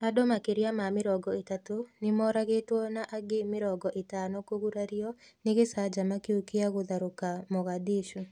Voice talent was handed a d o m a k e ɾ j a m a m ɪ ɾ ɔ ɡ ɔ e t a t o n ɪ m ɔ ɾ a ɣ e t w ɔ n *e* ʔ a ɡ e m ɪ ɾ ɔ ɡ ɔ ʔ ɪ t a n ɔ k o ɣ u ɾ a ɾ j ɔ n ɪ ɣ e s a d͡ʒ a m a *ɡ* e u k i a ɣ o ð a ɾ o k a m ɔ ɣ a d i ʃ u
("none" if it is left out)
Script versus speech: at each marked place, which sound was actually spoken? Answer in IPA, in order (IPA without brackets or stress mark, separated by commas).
a, k